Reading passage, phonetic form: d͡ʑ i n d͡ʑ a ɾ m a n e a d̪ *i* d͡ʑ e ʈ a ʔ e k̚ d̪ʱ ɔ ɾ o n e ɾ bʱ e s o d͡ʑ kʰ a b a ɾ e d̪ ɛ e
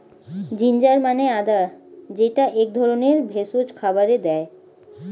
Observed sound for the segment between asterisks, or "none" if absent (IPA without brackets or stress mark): a